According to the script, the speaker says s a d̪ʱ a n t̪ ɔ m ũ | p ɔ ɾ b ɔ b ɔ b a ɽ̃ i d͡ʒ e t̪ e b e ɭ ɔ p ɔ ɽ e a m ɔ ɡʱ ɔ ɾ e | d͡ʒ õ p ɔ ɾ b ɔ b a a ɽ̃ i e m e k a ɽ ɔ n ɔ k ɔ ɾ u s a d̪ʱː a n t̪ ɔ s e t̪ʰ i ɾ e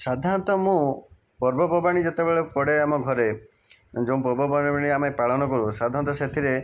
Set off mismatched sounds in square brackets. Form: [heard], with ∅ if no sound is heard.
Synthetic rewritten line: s a d̪ʱ a n t̪ ɔ m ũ | p ɔ ɾ b ɔ b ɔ b a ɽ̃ i d͡ʒ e t̪ e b e ɭ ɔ p ɔ ɽ e a m ɔ ɡʱ ɔ ɾ e | d͡ʒ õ p ɔ ɾ b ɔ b a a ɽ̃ i [a] m e [p] a [ɭ] ɔ n ɔ k ɔ ɾ u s a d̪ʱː a n t̪ ɔ s e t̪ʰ i ɾ e